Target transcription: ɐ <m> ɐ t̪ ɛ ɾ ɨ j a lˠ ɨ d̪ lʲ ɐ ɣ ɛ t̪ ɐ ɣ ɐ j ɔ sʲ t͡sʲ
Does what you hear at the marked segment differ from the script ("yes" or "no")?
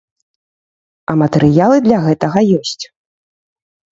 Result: no